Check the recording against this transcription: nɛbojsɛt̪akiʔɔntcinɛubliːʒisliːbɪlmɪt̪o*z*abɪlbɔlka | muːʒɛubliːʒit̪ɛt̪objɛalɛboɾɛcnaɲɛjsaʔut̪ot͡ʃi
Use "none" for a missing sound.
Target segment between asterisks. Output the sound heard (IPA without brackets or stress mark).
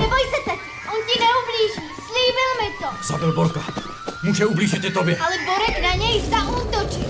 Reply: z